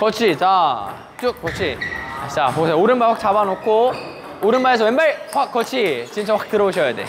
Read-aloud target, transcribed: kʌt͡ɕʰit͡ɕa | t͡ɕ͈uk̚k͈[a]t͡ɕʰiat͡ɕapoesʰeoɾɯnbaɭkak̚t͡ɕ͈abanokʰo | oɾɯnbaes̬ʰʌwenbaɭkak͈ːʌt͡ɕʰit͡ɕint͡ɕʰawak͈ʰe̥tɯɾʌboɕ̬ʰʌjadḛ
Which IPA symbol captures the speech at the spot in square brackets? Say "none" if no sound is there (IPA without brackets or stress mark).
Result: ʌ